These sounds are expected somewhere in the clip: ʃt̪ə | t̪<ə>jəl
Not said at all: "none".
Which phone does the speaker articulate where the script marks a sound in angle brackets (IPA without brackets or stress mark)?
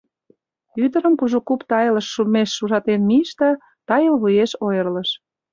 ɑ